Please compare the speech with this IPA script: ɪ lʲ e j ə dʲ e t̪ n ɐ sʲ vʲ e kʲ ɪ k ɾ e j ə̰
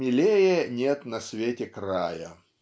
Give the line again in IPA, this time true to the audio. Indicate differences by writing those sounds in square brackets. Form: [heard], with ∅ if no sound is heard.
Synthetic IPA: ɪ lʲ e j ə [nʲ] e t̪ n ɐ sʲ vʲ e [tʲ] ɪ k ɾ [a] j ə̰

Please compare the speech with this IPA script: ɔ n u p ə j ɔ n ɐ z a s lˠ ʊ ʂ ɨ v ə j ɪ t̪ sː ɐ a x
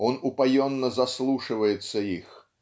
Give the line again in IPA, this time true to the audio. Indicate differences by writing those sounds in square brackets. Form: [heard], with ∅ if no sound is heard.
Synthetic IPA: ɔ n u p [a] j ɔ [nː] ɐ z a s lˠ [u] ʂ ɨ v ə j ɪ t̪ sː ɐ [i] x

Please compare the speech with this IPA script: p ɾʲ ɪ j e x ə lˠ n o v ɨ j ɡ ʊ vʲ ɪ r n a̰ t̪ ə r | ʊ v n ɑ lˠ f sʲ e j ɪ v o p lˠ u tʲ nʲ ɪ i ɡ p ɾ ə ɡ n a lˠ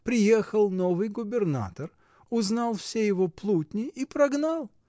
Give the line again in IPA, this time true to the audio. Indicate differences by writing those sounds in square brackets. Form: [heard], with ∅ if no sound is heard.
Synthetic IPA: p ɾʲ ɪ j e x ə lˠ n o v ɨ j ɡ ʊ [bʲ] ɪ r n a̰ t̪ ə r | ʊ [z] n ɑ lˠ f sʲ e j ɪ v o p lˠ u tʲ nʲ ɪ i [∅] p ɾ [ɐ] ɡ n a lˠ

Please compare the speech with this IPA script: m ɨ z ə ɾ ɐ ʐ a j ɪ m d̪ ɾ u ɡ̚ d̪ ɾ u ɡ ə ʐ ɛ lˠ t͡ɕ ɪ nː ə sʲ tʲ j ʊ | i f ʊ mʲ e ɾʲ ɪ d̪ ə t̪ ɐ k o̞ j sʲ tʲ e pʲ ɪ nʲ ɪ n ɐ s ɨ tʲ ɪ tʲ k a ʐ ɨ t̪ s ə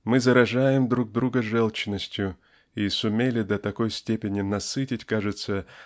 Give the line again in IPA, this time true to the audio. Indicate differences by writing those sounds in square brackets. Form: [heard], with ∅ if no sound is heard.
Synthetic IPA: m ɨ z ə ɾ ɐ ʐ a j ɪ m d̪ ɾ u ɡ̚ d̪ ɾ u ɡ ə ʐ ɛ lˠ t͡ɕ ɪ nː ə sʲ tʲ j ʊ | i [s] ʊ mʲ e [lʲ] ɪ d̪ ə t̪ ɐ k o̞ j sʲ tʲ e pʲ ɪ nʲ ɪ n ɐ s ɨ tʲ ɪ tʲ k a ʐ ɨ t̪ s ə

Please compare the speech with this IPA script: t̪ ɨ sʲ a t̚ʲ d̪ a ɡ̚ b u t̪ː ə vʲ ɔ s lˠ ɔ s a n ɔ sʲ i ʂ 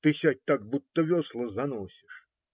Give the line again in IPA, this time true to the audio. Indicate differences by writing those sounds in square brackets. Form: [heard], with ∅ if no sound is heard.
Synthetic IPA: t̪ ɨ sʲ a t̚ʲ [t̪] a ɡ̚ b u t̪ː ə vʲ ɔ s lˠ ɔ [z] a n ɔ sʲ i ʂ

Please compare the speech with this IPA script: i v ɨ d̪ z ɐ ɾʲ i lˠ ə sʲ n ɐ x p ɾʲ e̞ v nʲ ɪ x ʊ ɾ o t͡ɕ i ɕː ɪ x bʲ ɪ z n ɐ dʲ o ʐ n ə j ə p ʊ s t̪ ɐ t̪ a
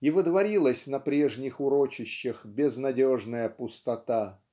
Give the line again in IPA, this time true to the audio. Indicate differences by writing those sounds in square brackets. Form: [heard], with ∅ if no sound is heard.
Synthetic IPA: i v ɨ d̪ [v] ɐ ɾʲ i lˠ ə sʲ n ɐ [∅] p ɾʲ e̞ [ʐ] nʲ ɪ x ʊ ɾ o t͡ɕ [ɪ] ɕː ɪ x bʲ ɪ z n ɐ dʲ o ʐ n ə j ə p ʊ s t̪ ɐ t̪ a

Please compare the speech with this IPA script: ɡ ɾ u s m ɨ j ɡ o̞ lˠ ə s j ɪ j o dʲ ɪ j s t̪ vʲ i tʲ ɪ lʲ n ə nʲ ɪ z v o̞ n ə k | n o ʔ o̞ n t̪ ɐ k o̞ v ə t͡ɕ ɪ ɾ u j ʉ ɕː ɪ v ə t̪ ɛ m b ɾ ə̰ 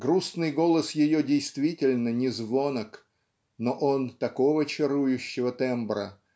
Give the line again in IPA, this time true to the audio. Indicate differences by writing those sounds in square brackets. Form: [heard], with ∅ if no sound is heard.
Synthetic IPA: ɡ ɾ u s [n] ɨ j ɡ o̞ lˠ ə s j ɪ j o dʲ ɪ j s t̪ vʲ i tʲ ɪ lʲ n ə nʲ ɪ z v o̞ n ə k | n o ʔ o̞ n t̪ ɐ k o̞ v ə t͡ɕ ɪ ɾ u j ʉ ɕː ɪ v ə t̪ ɛ m b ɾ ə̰

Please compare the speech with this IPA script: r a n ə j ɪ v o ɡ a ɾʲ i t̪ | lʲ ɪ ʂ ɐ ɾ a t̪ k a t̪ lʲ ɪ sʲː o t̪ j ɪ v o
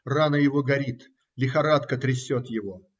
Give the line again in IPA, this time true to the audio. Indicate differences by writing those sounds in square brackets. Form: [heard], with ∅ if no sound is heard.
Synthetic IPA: r a n ə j ɪ v o ɡ [ɐ] ɾʲ i t̪ | lʲ ɪ [x] ɐ ɾ a t̪ k [ə] t̪ [ɾʲ] ɪ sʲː o t̪ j ɪ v o

